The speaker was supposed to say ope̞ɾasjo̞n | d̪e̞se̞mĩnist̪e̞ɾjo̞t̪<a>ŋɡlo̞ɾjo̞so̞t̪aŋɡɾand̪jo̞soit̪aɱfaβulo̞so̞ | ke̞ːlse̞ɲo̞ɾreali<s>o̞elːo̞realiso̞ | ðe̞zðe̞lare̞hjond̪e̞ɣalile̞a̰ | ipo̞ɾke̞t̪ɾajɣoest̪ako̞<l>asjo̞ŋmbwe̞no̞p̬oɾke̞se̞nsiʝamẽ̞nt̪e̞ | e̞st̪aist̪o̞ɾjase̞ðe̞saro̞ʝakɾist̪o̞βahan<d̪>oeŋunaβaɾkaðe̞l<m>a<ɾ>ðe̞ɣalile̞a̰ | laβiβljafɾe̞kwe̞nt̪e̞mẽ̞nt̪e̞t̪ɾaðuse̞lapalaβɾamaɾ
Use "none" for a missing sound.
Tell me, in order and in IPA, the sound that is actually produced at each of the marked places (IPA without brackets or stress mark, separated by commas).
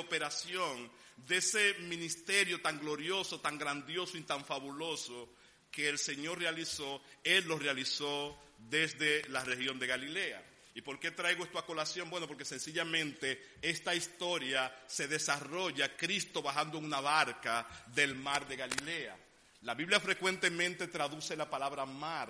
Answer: a, s, l, d̪, m, ɾ